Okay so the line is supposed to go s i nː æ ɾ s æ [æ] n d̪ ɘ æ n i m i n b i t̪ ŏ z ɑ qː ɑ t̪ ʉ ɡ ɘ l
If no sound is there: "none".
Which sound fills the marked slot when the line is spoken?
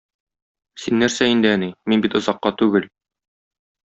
i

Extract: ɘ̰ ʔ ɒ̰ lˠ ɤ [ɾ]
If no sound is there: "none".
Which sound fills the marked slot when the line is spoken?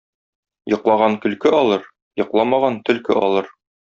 ɾ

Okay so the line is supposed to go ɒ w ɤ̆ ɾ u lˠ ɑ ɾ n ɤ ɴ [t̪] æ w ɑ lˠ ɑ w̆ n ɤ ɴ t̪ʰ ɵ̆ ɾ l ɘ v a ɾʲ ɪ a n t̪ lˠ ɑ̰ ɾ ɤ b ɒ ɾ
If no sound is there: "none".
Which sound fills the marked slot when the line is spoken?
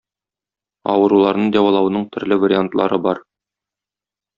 d̪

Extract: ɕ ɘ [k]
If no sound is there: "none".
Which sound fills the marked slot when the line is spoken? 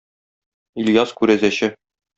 none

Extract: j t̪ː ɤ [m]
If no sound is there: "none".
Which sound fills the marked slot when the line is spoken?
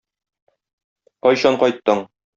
ɴ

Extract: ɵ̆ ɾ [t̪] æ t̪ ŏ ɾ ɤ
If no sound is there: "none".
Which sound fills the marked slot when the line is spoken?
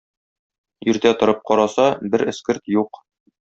t̪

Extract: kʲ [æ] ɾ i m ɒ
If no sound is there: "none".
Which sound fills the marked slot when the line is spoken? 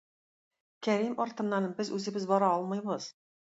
æ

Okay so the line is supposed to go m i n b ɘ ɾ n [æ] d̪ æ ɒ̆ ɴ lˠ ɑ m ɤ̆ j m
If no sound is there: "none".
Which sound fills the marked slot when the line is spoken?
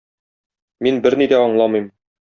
i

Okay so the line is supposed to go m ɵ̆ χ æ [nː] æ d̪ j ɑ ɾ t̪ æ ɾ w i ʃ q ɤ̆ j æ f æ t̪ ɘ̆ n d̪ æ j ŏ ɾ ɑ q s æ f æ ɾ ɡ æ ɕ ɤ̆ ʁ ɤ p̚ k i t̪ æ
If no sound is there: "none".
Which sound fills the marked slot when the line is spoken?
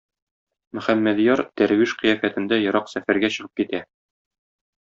mː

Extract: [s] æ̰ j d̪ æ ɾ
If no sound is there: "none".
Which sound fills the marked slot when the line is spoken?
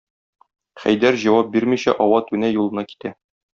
χ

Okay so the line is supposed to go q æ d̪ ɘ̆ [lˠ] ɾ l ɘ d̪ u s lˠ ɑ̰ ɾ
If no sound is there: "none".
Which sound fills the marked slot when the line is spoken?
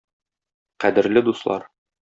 none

